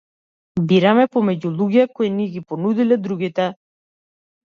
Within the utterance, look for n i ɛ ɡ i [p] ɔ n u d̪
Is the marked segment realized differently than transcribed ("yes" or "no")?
no